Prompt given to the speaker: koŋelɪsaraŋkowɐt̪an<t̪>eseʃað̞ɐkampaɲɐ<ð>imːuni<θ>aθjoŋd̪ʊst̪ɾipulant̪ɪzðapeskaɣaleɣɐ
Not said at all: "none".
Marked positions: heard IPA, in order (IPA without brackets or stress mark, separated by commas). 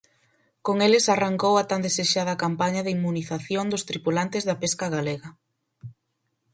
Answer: d̪, ð, θ